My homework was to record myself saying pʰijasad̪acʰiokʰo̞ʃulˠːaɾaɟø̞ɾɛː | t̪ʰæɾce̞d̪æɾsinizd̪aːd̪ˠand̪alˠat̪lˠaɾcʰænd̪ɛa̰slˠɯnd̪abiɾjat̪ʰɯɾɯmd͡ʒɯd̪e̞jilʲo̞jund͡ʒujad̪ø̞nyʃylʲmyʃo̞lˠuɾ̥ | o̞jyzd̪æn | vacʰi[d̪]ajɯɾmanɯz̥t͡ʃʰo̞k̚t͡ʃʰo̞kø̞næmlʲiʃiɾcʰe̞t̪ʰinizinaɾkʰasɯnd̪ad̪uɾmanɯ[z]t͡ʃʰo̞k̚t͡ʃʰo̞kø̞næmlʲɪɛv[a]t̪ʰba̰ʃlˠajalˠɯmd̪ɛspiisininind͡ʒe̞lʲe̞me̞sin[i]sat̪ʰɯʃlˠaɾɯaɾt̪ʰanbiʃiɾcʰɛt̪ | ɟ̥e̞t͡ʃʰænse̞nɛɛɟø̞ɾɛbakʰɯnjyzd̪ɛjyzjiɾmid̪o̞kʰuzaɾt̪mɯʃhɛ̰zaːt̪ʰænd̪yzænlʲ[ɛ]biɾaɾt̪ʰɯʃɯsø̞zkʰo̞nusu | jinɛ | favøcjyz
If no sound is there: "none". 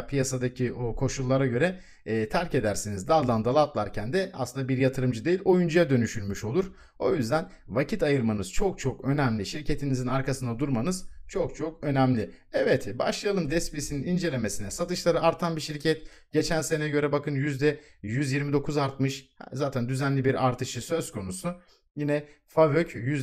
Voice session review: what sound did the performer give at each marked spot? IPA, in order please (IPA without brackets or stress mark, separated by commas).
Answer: t̪, z, ɛ, ɛ, i